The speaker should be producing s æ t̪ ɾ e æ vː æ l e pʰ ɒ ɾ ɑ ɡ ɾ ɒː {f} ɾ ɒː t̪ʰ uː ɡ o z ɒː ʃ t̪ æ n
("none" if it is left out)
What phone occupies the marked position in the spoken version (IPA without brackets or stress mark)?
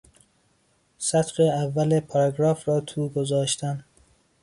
f